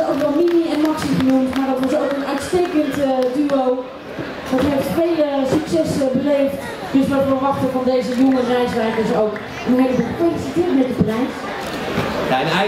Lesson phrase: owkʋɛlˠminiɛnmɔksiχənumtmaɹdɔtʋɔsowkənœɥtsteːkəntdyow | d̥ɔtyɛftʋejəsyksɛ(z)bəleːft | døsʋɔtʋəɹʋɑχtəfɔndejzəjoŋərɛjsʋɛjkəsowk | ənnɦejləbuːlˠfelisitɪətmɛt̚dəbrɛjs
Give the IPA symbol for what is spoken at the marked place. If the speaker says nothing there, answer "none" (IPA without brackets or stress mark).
s